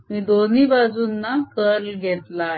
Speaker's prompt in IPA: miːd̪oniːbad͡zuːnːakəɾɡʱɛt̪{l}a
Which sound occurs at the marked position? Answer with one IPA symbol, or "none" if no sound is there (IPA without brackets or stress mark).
l